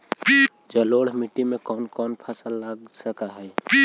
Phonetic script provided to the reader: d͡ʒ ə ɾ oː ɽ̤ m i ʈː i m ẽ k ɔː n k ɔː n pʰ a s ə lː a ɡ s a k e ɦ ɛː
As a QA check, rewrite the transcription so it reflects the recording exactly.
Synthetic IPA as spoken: d͡ʒ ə l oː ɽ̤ m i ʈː i m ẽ k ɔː n k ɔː n pʰ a s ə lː a ɡ s ə k a ɦ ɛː